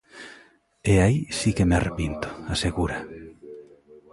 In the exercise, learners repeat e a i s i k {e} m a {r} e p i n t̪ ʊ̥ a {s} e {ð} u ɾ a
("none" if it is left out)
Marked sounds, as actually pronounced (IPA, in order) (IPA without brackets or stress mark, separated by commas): e, r, s, ɣ